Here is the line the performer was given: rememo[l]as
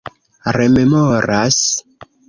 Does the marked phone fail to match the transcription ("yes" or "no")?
yes